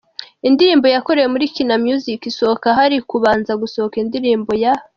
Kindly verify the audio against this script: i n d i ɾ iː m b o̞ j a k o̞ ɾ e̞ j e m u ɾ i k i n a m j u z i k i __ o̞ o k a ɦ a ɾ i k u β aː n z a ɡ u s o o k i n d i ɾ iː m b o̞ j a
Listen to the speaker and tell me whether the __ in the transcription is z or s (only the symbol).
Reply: s